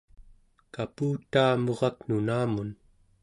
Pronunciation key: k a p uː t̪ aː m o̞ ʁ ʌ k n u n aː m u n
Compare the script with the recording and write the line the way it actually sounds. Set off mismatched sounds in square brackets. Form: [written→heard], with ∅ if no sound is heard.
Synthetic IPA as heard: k a p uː t̪ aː m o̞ ʁ [ʌ→ɑ] k n u n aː m u n

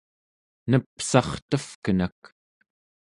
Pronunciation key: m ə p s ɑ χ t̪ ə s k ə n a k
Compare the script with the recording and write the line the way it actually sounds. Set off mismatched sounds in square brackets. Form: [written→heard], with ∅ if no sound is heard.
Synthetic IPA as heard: [m→n] ə p s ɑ χ t̪ ə [s→f] k ə n a k

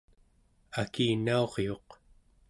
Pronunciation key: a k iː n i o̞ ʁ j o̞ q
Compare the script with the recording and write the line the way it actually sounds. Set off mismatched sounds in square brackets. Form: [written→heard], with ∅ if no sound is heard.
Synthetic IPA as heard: a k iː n [i→a] o̞ ʁ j o̞ q

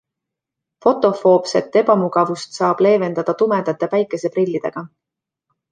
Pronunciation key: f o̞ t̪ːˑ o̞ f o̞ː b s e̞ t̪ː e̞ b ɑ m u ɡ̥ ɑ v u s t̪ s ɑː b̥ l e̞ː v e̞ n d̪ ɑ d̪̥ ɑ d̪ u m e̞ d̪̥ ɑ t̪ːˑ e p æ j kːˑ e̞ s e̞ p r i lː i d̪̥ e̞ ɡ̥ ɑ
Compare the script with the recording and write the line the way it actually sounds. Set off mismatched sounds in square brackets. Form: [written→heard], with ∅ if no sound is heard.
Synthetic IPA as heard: f o̞ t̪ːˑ o̞ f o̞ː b s e̞ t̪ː e̞ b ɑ m u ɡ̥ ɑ v u s t̪ s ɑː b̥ l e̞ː v e̞ n d̪ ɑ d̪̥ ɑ [d̪→t̪] u m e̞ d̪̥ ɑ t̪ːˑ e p æ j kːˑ e̞ s e̞ p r i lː i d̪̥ e̞ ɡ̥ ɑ

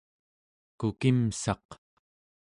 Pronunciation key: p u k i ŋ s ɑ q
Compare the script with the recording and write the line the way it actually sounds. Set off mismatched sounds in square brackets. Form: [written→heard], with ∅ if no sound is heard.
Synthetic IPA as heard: [p→k] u k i [ŋ→m] s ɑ q

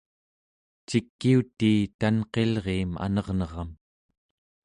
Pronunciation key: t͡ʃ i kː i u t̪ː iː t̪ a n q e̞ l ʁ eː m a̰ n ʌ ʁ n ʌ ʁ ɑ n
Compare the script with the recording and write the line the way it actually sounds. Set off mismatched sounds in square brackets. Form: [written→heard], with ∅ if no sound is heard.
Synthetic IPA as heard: t͡ʃ i kː i u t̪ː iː t̪ a n q e̞ l ʁ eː m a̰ n ʌ ʁ n ʌ ʁ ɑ [n→m]

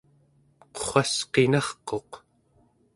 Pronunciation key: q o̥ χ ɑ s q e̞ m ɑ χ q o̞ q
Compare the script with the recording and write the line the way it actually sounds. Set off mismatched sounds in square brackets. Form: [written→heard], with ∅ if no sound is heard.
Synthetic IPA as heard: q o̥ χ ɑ s q e̞ [m→n] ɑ χ q o̞ q

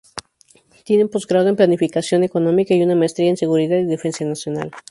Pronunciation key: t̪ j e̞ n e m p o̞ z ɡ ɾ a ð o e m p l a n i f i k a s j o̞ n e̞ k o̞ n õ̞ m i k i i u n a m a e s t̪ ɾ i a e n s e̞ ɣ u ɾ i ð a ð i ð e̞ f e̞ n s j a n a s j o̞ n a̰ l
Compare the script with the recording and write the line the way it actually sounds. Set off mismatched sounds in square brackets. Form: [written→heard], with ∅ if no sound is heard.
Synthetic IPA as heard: t̪ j e̞ n e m p o̞ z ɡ ɾ a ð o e m p l a n i f i k a s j o̞ n e̞ k o̞ n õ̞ m i k [i→a] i u n a m a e s t̪ ɾ i a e n s e̞ ɣ u ɾ i ð a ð i ð e̞ f e̞ n s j a n a s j o̞ n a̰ l

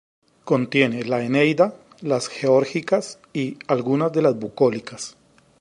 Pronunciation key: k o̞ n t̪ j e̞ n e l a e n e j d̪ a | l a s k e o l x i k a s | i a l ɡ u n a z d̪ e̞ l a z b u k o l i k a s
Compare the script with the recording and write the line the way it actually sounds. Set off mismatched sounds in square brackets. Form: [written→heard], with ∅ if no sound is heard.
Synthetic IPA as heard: k o̞ n t̪ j e̞ n e l a e n e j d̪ a | l a s [k→x] e o [l→ɾ] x i k a s | i a l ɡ u n a z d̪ e̞ l a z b u k o l i k a s

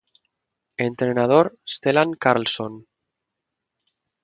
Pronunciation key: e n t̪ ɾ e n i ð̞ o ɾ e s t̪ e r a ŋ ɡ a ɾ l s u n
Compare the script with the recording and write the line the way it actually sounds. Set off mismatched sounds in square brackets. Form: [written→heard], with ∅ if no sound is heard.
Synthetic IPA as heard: e n t̪ ɾ e n [i→a] ð̞ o ɾ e s t̪ e [r→l] a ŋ [ɡ→k] a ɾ l s [u→o] n

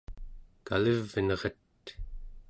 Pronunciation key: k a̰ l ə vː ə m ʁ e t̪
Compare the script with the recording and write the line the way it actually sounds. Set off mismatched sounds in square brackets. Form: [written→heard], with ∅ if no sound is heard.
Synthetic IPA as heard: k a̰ l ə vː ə [m→n] ʁ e t̪

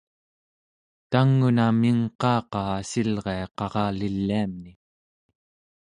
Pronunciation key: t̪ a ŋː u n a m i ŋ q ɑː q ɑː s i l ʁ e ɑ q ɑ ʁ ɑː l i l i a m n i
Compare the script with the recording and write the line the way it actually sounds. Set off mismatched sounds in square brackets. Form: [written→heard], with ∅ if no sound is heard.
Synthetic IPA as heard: t̪ a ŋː u n a m i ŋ q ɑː q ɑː s i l ʁ e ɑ q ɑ ʁ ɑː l i [l→lː] i a m n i

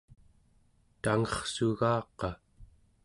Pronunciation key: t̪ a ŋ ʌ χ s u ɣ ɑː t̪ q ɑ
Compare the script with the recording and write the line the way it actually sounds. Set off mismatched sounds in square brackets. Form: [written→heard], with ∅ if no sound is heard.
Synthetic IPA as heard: t̪ a ŋ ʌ χ s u ɣ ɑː [t̪→∅] q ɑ

